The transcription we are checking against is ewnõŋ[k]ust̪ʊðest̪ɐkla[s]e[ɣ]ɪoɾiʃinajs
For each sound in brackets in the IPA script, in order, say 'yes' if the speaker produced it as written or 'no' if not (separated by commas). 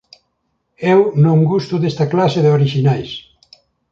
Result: no, yes, no